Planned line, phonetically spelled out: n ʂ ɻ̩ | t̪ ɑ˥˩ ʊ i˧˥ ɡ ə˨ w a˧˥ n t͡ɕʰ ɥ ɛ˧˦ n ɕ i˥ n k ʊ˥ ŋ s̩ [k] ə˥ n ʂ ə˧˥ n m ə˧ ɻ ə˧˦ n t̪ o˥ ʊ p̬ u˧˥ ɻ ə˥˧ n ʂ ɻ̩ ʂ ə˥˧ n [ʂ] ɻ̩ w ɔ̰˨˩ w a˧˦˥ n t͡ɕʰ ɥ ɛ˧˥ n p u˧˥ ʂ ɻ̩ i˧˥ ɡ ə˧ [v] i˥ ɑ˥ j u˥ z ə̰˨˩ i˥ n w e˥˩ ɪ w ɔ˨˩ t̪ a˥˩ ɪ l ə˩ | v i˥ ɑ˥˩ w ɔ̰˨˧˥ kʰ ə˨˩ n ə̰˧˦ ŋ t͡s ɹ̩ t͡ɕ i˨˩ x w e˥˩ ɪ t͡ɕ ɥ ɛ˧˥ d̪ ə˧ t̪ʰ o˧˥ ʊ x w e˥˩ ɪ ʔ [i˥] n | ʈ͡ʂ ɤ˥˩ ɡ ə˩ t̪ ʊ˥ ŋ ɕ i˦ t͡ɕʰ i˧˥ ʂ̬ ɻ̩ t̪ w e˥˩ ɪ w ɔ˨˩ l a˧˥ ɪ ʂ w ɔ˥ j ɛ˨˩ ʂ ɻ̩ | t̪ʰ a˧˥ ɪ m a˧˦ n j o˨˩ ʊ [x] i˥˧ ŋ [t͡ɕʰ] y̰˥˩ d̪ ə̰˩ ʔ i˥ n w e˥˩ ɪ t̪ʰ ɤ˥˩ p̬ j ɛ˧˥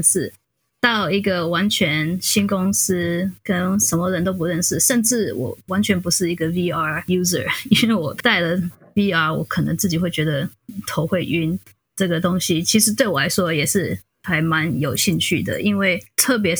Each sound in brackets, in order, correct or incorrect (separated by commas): correct, incorrect, correct, incorrect, incorrect, correct